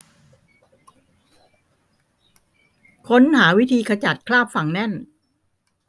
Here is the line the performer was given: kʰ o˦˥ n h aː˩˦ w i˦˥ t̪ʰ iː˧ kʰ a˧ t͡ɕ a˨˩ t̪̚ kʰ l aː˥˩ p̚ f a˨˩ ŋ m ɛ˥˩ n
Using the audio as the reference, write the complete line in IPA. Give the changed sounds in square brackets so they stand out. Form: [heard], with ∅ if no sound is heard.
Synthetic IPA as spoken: kʰ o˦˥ n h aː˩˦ w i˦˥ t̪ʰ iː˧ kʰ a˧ t͡ɕ a˨˩ t̪̚ kʰ l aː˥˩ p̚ f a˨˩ ŋ [n] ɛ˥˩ n